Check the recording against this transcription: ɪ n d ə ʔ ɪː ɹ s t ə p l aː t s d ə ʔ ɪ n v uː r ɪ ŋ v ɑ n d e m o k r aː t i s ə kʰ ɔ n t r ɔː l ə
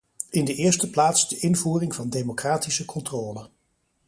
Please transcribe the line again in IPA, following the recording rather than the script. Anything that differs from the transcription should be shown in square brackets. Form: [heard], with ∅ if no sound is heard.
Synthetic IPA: ɪ n d ə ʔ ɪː ɹ s t ə p l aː t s d ə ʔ ɪ n v uː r ɪ ŋ v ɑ n d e m o k r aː t i s ə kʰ ɔ n t r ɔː l ə